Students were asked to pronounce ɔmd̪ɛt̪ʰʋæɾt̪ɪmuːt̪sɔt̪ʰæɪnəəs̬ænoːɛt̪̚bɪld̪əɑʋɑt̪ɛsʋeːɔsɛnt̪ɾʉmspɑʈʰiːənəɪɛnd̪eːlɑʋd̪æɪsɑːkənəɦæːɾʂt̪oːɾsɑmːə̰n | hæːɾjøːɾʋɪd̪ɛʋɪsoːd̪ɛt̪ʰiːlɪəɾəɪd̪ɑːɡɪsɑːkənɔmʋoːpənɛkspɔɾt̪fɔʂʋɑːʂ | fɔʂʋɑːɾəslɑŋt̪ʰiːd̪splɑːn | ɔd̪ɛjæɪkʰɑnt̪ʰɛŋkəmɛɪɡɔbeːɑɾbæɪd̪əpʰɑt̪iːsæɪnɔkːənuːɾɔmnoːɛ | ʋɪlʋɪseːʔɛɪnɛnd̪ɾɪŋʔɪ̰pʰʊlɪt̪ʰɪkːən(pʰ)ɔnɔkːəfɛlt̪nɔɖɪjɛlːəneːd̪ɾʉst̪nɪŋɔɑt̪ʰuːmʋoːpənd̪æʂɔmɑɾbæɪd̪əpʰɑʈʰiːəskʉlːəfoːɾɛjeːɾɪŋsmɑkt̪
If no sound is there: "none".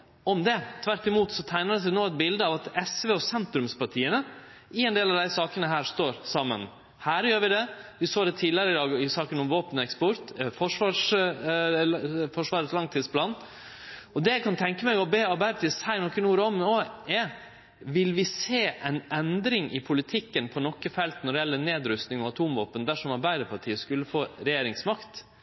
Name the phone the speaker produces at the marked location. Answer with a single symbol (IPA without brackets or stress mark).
pʰ